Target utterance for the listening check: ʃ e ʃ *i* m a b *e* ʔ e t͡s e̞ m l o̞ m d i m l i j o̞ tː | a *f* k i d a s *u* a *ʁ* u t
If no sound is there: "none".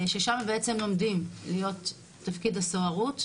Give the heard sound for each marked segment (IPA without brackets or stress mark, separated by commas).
a, e, f, o, ʁ